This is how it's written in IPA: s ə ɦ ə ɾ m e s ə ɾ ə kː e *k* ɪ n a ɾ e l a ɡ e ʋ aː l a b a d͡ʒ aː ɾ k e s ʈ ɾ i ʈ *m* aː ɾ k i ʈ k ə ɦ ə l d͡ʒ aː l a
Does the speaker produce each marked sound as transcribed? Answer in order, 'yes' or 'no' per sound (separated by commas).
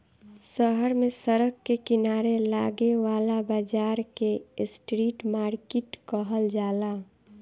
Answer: yes, yes